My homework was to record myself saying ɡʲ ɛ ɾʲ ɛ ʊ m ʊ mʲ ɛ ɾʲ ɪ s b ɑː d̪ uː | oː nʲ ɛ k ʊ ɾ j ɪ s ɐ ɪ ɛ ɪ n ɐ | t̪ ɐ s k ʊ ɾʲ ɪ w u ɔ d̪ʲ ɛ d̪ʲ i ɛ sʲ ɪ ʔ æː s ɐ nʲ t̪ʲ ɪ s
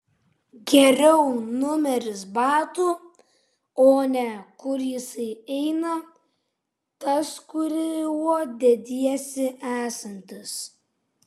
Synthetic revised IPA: ɡʲ ɛ ɾʲ ɛ ʊ n ʊ mʲ ɛ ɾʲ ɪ s b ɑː t̪ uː | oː nʲ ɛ k ʊ ɾ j ɪ s ɐ ɪ ɛ ɪ n ɐ | t̪ ɐ s k ʊ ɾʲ ɪ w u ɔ d̪ʲ ɛ d̪ʲ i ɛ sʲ ɪ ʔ æː s ɐ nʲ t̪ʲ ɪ s